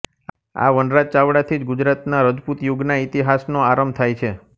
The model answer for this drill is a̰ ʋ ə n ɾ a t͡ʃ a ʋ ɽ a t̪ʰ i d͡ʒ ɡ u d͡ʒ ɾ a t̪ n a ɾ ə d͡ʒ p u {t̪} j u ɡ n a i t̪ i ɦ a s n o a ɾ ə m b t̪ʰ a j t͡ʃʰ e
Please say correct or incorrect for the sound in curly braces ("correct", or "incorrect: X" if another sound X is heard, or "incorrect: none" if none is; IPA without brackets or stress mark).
correct